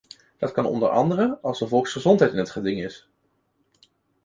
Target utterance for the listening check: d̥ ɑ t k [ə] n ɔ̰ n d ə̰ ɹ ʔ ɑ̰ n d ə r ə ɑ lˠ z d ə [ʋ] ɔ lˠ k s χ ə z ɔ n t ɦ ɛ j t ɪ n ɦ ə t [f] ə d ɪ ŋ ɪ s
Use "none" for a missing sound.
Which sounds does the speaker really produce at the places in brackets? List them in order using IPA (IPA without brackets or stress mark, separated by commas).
ɑ, v, χ